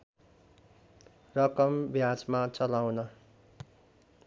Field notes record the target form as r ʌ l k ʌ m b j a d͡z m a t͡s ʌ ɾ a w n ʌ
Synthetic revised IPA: r ʌ k ʌ m b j a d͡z m a t͡s ʌ l a w n ʌ